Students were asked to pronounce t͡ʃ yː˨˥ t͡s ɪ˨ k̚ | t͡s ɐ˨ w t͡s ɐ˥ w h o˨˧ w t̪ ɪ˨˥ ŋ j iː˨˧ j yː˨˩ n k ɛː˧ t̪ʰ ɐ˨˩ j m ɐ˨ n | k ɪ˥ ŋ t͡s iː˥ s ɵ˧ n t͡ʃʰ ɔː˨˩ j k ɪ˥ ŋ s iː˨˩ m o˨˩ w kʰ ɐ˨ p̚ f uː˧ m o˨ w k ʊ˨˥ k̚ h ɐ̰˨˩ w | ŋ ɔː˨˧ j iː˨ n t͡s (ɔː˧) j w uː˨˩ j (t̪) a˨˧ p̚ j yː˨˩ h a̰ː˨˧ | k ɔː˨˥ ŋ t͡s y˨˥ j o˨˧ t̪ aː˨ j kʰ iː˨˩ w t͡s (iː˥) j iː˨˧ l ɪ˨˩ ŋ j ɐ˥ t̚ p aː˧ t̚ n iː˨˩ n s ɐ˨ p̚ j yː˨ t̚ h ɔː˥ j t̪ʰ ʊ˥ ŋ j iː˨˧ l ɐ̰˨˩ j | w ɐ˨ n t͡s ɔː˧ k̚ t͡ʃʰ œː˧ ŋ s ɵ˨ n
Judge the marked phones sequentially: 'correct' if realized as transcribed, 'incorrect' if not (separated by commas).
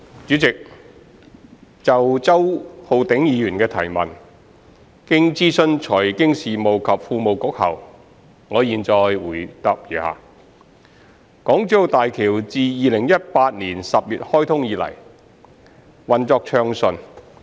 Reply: correct, correct, incorrect